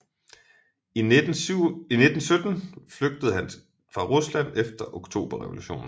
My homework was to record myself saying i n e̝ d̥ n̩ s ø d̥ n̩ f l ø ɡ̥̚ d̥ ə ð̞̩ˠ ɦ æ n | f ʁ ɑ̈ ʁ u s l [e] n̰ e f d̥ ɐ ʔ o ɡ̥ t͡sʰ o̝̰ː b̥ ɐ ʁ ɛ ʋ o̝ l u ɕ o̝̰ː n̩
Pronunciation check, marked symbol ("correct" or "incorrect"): incorrect